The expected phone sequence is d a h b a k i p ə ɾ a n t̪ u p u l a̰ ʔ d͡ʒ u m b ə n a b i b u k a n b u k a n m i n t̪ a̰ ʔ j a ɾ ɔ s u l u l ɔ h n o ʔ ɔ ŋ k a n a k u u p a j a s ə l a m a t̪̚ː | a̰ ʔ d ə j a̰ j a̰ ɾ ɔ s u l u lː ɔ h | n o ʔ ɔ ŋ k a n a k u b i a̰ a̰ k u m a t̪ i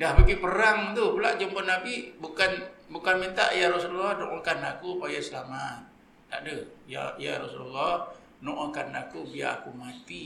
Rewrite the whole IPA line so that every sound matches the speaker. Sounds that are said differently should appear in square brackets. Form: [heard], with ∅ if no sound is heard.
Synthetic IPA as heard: d a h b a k i p ə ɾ a [ŋ] t̪ u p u l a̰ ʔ d͡ʒ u m b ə n a b i b u k a n b u k a n m i n t̪ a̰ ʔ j a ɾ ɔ s u l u l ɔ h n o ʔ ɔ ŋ k a n a k u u p a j a s ə l a m a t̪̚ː | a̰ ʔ d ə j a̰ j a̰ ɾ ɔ s u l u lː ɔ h | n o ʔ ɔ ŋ k a n a k u b i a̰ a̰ k u m a t̪ i